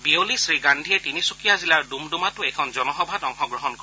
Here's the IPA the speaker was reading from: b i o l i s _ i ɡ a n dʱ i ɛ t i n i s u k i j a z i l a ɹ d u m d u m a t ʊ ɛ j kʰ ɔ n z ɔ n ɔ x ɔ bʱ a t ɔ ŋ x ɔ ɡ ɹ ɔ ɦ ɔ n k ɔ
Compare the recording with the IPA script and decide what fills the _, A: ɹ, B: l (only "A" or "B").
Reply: A